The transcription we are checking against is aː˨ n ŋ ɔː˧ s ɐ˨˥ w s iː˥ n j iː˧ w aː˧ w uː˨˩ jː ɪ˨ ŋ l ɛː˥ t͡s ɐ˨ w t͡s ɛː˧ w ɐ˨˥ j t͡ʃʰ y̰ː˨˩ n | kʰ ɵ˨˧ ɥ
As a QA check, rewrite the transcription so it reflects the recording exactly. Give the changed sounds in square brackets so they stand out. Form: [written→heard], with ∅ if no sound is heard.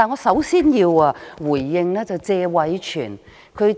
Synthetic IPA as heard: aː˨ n ŋ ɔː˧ s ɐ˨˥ w s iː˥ n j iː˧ w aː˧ w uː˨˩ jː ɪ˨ ŋ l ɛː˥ t͡s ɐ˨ w t͡s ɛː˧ w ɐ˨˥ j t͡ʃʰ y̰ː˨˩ n | kʰ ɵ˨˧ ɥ